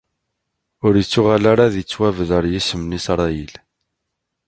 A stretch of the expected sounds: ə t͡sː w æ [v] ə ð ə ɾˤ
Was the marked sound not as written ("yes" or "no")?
no